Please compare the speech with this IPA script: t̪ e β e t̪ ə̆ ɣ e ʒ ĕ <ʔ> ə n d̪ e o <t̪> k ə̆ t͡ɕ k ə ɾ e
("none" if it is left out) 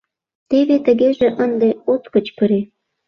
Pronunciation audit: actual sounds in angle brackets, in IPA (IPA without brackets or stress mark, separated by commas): ʔ, t̪